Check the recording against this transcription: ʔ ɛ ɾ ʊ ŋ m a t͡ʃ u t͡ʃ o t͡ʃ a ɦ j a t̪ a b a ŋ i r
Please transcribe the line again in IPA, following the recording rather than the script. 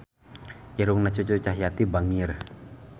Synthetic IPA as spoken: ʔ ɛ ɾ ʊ ŋ n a t͡ʃ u t͡ʃ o t͡ʃ a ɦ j a t̪ i b a ŋ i r